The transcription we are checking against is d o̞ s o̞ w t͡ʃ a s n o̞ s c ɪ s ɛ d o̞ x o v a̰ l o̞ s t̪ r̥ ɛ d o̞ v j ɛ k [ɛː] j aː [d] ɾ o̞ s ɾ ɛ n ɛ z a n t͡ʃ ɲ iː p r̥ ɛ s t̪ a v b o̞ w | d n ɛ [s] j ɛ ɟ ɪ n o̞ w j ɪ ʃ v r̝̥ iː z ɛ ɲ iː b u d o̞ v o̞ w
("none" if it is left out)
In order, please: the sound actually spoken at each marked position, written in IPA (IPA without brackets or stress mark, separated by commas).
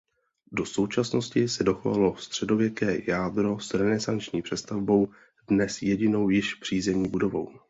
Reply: ɛː, d, s